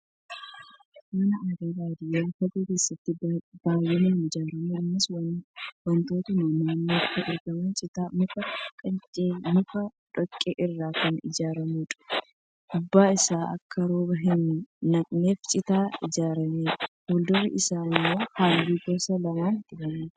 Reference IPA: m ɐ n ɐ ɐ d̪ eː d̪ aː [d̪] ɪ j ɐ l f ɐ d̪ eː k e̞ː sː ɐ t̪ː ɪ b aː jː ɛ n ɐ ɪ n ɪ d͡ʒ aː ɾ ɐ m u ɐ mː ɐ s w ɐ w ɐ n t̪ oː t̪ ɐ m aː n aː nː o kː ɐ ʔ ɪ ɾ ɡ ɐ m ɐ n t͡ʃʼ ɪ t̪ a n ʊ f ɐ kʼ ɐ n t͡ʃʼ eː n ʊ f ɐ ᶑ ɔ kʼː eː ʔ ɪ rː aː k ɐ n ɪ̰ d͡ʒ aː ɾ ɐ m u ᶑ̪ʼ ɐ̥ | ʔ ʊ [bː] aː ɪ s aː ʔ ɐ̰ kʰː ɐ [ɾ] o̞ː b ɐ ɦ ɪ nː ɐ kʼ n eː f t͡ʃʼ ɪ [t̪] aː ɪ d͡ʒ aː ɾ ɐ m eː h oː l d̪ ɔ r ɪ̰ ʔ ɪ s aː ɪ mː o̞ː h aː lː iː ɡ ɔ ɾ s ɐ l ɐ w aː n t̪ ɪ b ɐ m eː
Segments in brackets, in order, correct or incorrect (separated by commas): correct, correct, correct, correct